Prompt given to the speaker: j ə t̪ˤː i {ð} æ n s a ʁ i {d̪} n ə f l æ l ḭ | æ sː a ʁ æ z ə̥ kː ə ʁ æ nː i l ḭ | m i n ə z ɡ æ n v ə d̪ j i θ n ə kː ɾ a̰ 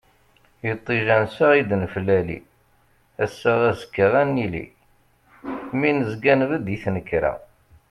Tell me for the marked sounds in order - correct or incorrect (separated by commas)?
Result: incorrect, correct